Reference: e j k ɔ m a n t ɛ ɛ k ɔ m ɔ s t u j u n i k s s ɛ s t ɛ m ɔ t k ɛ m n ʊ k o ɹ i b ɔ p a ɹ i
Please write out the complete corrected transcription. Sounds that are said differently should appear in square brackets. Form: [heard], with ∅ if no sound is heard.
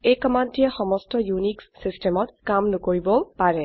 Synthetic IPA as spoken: e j k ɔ m a n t [i] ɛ [x] ɔ m ɔ s t [ɔ] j u n i k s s [i] s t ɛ m ɔ t k [a] m n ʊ k o ɹ i b ɔ p a ɹ [ɛ]

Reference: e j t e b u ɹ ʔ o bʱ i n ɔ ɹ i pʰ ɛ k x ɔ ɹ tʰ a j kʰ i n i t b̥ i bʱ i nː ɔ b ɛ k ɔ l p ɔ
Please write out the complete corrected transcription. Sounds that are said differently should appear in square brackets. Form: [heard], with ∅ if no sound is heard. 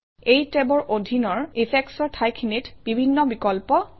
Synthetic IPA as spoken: e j t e b [ɔ] ɹ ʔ o [dʱ] i n ɔ ɹ i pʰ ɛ k [s] ɔ ɹ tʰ a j kʰ i n i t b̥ i bʱ i nː ɔ b [i] k ɔ l p ɔ

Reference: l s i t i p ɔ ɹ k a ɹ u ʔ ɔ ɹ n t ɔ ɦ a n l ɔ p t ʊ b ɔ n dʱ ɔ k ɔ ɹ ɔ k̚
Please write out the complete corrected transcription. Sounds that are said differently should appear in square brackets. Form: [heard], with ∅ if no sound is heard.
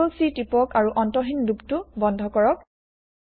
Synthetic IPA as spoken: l s i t i p ɔ [∅] k a ɹ u ʔ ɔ [∅] n t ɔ ɦ [i] n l [u] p t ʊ b ɔ n dʱ ɔ k ɔ ɹ ɔ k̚

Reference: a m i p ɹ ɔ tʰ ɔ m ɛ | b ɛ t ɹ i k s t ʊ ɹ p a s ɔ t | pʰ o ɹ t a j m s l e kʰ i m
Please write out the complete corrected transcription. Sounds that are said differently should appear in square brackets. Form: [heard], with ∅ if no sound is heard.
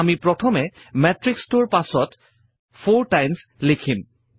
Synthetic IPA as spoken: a m i p ɹ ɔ tʰ ɔ m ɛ | [m] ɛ t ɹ i k s t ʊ ɹ p a s ɔ t | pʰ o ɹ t a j m s l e kʰ i m

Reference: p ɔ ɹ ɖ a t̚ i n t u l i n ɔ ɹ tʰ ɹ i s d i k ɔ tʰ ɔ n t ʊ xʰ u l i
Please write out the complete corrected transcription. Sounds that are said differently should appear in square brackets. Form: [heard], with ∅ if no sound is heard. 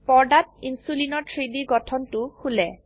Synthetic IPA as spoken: p ɔ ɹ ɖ a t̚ i n [s] u l i n ɔ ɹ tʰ ɹ i [∅] d i [ɡ] ɔ tʰ ɔ n t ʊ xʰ u l [ɛ]

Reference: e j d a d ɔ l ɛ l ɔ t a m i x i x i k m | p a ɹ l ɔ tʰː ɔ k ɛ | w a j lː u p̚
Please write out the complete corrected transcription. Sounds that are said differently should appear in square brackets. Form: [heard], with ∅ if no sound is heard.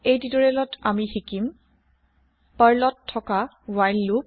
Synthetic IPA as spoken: e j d [i] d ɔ [ɹ] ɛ l ɔ t a m i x i [k] i [∅] m | p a ɹ l ɔ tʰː ɔ k [a] | w a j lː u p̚

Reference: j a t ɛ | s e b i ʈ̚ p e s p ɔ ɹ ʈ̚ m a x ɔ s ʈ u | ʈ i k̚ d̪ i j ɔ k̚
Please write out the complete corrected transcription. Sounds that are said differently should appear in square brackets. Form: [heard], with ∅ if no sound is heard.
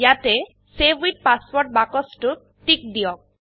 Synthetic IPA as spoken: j a t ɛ | s e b i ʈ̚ p [a] s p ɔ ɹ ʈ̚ [b] a [k] ɔ s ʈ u | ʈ i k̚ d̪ i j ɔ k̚

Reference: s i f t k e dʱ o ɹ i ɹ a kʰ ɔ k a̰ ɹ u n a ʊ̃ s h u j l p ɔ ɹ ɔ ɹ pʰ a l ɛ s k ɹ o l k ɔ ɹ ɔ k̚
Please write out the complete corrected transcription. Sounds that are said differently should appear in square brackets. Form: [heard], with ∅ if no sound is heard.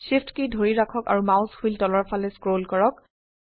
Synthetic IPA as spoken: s i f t k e dʱ o ɹ i ɹ a kʰ ɔ k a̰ ɹ u [m] a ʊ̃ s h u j l [t] ɔ [l] ɔ ɹ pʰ a l ɛ s k ɹ o l k ɔ ɹ ɔ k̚

